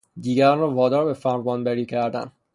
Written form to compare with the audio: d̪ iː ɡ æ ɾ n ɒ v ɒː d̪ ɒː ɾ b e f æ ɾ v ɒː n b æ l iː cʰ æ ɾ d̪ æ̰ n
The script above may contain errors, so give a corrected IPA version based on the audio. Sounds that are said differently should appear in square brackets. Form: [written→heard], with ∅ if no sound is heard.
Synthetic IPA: d̪ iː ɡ æ ɾ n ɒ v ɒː d̪ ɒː ɾ b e f æ ɾ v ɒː n b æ [l→ɾ] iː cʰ æ ɾ d̪ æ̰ n